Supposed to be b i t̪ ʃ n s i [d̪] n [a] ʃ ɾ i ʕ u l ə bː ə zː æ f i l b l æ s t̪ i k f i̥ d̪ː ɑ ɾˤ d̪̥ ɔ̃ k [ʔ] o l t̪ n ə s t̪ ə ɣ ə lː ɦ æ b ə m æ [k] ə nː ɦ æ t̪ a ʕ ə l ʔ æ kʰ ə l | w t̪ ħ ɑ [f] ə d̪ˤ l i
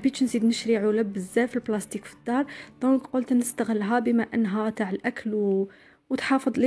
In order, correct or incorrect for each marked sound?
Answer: correct, incorrect, incorrect, incorrect, correct

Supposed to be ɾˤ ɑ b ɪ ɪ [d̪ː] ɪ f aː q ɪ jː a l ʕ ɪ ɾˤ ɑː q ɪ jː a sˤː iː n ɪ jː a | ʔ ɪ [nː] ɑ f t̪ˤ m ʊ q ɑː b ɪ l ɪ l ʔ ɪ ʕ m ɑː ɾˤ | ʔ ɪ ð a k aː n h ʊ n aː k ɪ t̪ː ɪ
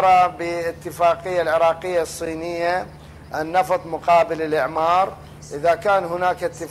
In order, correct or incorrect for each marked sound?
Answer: incorrect, correct

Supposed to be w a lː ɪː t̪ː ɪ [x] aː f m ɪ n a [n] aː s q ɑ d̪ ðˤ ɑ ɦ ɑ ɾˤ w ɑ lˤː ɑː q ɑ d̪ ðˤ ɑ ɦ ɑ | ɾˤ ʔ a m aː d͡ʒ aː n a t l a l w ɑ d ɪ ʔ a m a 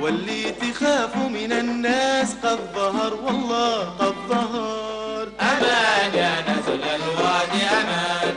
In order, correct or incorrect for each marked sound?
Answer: correct, incorrect

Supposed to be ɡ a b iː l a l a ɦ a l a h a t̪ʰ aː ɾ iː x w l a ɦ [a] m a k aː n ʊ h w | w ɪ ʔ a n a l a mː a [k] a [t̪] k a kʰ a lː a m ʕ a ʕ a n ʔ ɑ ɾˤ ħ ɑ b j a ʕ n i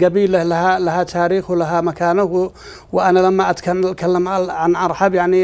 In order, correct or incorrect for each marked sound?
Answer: correct, incorrect, correct

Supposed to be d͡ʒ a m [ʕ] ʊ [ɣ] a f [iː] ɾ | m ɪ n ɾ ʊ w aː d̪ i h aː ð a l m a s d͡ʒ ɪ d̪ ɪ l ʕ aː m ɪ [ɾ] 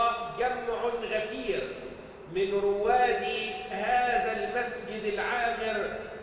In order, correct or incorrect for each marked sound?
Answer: correct, correct, correct, correct

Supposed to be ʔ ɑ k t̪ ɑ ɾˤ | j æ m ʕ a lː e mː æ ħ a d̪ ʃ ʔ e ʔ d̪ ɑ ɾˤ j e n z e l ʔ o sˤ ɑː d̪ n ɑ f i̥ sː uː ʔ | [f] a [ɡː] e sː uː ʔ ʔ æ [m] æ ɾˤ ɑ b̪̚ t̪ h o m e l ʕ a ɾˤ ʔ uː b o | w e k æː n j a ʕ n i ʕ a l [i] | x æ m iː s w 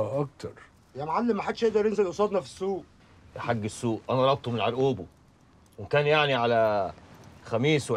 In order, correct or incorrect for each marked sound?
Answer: incorrect, correct, incorrect, incorrect

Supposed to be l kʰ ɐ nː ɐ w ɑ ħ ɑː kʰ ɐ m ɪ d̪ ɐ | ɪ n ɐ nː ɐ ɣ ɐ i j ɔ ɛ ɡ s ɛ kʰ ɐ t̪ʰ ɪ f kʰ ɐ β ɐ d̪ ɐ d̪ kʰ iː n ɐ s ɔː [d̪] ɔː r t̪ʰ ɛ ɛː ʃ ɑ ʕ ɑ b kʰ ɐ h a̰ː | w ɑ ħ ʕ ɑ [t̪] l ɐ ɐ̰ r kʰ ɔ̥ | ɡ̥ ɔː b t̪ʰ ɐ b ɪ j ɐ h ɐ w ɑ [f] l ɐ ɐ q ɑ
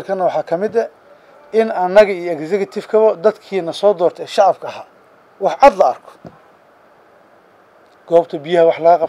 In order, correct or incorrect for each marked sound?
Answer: correct, incorrect, incorrect

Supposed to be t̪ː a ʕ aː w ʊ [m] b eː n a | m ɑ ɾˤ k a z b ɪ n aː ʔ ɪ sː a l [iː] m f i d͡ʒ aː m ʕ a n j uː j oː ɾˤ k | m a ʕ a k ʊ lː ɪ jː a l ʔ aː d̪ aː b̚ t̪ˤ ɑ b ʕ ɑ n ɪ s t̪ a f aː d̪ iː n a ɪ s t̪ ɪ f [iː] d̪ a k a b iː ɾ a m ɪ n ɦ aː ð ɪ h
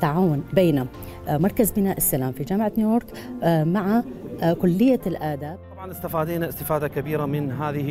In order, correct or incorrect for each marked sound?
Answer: incorrect, incorrect, incorrect

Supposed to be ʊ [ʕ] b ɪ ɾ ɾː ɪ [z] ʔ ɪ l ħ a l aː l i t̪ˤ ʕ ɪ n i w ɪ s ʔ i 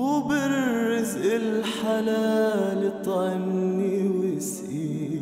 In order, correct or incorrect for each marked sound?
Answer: incorrect, correct

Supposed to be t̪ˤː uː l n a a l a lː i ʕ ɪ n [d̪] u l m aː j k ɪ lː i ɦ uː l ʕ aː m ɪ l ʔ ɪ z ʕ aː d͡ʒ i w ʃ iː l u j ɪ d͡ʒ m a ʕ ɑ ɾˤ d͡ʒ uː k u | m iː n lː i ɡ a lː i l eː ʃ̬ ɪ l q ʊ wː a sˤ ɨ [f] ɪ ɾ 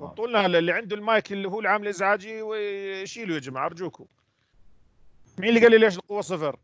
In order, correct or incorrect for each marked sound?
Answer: correct, correct

